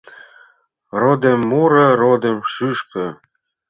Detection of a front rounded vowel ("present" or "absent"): present